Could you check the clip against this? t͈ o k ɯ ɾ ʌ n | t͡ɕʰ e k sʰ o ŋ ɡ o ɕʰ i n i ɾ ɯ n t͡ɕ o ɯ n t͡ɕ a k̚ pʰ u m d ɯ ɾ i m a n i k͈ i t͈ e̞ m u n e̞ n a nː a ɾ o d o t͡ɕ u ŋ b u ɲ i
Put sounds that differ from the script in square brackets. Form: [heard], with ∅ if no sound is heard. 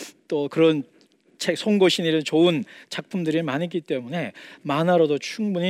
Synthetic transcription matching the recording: t͈ o k ɯ ɾ ʌ n | t͡ɕʰ e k sʰ o ŋ ɡ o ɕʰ i n i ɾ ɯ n t͡ɕ o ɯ n t͡ɕ a k̚ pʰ u m d ɯ ɾ i m a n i k͈ i t͈ e̞ m u n e̞ [m] a [n] a ɾ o d o [t͡ɕʰ] u ŋ b u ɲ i